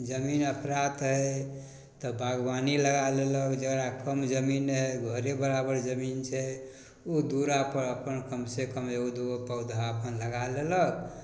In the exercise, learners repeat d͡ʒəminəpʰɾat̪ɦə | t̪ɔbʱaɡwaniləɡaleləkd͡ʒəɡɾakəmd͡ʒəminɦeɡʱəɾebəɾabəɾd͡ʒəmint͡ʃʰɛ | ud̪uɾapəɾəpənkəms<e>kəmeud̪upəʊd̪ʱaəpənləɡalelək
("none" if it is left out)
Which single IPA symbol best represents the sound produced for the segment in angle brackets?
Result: e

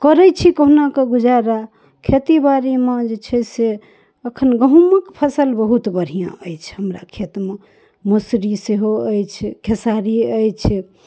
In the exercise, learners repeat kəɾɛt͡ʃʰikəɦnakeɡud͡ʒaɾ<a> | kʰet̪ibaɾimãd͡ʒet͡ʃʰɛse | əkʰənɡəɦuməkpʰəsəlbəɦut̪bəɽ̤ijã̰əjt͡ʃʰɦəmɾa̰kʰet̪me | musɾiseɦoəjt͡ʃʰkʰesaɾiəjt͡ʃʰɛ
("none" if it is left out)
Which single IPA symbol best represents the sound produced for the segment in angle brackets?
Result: a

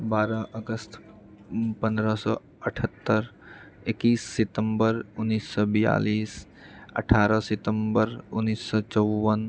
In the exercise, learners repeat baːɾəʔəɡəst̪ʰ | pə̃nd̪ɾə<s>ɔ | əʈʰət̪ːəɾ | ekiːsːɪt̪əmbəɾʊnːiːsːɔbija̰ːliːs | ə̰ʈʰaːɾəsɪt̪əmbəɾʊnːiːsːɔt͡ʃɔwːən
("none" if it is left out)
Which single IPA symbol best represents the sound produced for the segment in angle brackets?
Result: s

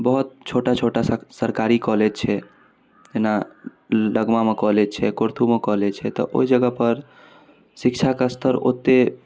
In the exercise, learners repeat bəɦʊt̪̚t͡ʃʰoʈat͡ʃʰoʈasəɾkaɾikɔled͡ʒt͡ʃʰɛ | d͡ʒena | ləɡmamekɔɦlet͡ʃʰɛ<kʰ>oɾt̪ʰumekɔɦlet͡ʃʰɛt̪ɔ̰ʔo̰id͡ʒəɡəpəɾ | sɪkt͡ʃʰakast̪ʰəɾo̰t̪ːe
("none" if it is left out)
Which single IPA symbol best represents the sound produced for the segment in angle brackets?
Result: k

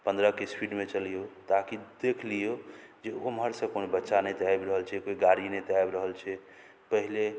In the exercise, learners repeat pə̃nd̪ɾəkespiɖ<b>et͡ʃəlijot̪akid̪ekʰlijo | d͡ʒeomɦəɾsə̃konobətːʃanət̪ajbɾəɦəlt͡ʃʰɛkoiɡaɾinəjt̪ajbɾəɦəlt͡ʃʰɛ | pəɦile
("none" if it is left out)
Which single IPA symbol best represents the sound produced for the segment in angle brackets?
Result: m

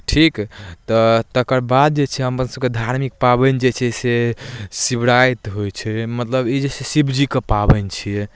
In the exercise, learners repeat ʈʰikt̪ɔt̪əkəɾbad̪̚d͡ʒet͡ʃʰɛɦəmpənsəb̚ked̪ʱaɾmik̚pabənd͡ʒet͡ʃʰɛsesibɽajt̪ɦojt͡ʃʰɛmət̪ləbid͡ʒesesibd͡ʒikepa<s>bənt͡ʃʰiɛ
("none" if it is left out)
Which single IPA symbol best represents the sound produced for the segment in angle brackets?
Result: none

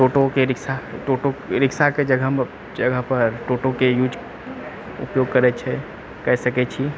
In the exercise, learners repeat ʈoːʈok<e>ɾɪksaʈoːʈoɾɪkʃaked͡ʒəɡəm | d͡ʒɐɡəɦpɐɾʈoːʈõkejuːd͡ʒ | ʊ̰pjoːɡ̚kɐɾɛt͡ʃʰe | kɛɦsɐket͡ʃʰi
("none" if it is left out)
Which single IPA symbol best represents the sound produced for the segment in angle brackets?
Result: e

